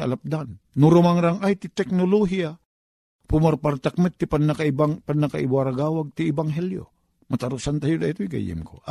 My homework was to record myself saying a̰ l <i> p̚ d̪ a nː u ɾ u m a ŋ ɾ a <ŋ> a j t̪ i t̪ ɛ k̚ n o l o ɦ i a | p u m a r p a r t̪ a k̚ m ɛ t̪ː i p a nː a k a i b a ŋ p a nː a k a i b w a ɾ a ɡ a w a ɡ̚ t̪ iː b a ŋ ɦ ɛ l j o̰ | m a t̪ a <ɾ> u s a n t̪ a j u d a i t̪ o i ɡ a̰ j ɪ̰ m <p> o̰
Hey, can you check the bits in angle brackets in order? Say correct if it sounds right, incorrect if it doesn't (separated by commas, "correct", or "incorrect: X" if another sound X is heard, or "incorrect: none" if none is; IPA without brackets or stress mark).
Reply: incorrect: a, correct, correct, incorrect: k